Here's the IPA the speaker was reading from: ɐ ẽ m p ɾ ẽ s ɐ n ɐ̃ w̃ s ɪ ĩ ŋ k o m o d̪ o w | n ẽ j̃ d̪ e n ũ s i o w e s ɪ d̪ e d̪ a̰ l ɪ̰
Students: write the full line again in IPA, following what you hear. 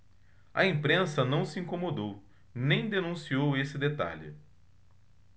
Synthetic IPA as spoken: ɐ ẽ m p ɾ ẽ s ɐ n ɐ̃ w̃ s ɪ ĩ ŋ k o m o d̪ o w | n ẽ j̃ d̪ e n ũ s i o w e s ɪ d̪ e t̪ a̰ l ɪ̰